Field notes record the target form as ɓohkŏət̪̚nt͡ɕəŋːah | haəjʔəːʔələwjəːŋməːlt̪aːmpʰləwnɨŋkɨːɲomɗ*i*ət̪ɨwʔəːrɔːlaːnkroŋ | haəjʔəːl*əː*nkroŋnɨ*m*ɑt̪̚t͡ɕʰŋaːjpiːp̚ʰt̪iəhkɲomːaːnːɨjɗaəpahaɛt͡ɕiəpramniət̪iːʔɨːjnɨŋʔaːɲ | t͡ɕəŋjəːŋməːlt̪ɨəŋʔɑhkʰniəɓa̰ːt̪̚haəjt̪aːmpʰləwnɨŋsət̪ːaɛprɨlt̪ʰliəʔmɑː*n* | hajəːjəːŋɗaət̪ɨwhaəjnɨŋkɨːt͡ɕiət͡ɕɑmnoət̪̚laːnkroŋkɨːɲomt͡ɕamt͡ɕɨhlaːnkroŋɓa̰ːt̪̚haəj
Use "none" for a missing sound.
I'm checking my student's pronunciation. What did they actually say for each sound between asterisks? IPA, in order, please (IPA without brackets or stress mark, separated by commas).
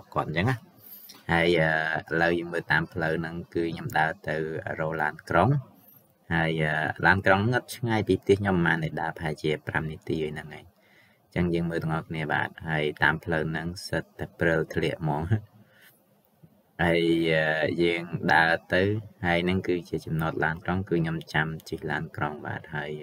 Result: a, aː, ŋ, ŋ